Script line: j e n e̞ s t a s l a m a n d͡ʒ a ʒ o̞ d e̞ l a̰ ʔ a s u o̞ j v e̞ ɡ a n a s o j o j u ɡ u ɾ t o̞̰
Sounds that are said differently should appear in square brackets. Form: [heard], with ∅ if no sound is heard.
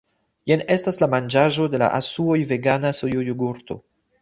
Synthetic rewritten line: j e n e̞ s t a s l a m a n d͡ʒ a ʒ o̞ d e̞ l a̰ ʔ a s u o̞ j v e̞ ɡ a n a s o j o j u ɡ u ɾ t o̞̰